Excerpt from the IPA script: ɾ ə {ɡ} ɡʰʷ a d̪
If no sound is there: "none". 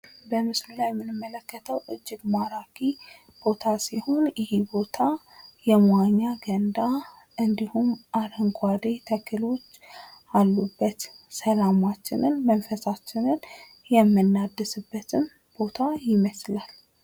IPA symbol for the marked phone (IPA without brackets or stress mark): ŋ